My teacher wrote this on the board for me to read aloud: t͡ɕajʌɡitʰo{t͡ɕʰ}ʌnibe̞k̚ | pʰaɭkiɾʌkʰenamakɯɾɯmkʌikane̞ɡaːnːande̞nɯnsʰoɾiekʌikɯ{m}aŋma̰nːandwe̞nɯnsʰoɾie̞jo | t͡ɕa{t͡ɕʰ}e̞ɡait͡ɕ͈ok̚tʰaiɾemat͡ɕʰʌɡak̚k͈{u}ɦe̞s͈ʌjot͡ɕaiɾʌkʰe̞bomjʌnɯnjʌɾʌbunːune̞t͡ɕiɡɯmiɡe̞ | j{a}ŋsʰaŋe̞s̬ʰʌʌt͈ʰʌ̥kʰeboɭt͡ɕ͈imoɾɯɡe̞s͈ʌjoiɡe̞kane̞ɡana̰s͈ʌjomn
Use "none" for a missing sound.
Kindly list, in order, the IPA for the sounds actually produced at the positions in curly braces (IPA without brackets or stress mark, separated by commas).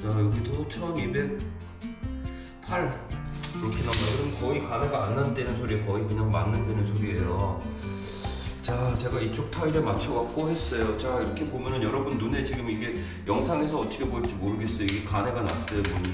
t͡ɕʰ, ɲ, t͡ɕ, o, ʌ